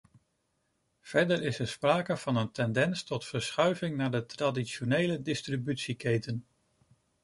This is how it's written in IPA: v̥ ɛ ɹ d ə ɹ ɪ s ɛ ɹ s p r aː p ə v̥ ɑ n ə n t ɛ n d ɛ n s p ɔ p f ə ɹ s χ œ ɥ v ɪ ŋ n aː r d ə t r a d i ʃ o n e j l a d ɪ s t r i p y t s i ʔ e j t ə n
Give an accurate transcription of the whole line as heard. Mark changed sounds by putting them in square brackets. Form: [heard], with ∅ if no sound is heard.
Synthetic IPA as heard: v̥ ɛ ɹ d ə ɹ ɪ s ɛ ɹ s p r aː [k] ə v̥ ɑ n ə n t ɛ n d ɛ n s [t] ɔ [t] f ə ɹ s χ œ ɥ v ɪ ŋ n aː [ɹ] d ə t r a d i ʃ o n e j l [ə] d ɪ s t r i [b] y t s i [k] e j t ə n

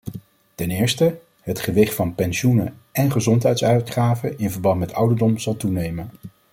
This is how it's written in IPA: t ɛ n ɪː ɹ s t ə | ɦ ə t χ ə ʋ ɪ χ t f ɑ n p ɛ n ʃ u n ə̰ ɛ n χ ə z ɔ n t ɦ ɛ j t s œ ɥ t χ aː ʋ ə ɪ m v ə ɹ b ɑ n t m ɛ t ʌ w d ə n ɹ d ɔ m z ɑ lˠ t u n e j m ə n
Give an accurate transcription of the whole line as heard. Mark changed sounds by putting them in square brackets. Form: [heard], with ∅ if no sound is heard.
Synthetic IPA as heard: t ɛ n ɪː ɹ s t ə | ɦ ə t χ ə ʋ ɪ χ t f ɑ n p ɛ n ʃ u n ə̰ ɛ n χ ə z ɔ n t ɦ ɛ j t s œ ɥ t χ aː [v] ə ɪ [n] v ə ɹ b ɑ n t m ɛ t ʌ w d ə [∅] ɹ d ɔ m z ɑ lˠ t u n e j m ə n

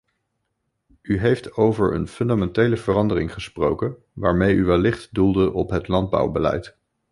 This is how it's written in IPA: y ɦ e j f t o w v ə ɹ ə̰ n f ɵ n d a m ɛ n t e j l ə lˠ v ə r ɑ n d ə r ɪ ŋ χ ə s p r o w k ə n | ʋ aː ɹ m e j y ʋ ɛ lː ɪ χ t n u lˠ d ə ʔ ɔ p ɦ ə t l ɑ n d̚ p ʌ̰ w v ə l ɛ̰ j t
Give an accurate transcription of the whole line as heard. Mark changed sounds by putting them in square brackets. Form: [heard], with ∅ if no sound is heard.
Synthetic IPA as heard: y ɦ e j f t o w v ə ɹ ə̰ n f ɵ n d a m ɛ n t e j l ə [∅] v ə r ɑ n d ə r ɪ ŋ χ ə s p r o w k ə n | ʋ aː ɹ m e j y ʋ ɛ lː ɪ χ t [d] u lˠ d ə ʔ ɔ p ɦ ə t l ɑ n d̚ [b] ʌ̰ w [b] ə l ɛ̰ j t

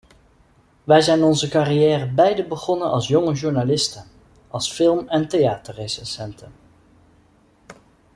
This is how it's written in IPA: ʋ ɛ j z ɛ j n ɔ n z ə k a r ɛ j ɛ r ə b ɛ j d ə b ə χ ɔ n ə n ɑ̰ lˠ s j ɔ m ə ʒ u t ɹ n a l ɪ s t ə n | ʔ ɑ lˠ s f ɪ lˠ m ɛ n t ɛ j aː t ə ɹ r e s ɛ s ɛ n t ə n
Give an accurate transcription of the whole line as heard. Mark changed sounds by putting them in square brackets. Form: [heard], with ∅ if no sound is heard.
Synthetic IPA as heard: ʋ ɛ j z ɛ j n ɔ n z ə k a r [i] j [ɛː] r ə b ɛ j d ə b ə χ ɔ n ə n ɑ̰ lˠ s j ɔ [ŋ] ə ʒ u [∅] ɹ n a l ɪ s t ə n | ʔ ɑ lˠ s f ɪ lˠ m ɛ n t [e] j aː t ə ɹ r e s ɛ s ɛ n t ə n

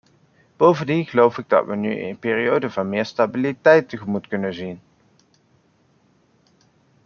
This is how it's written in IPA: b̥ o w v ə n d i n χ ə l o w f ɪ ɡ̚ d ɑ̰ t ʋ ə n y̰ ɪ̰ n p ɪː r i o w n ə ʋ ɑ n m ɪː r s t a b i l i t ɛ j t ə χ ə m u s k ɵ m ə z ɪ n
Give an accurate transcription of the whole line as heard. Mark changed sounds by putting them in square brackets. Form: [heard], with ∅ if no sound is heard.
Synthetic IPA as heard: b̥ o w v ə n d i n χ ə l o w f ɪ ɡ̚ d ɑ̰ t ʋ ə n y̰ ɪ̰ n p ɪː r i o w [d] ə [v] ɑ n m ɪː [ɹ] s t a b i l i t ɛ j t ə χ ə m u [t] k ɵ [n] ə z [i] n

